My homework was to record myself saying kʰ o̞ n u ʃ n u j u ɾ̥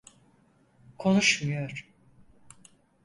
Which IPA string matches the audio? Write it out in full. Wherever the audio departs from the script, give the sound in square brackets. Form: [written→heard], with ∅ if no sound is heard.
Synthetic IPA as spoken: kʰ o̞ n u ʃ [n→m] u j [u→o] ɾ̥